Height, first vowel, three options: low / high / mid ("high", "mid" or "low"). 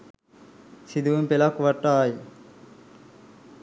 high